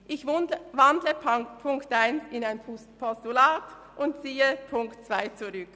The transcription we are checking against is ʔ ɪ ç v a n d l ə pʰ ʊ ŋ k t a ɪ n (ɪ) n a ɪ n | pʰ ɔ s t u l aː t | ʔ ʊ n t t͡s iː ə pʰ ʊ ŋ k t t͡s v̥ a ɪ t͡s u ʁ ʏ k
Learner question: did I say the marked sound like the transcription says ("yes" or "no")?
yes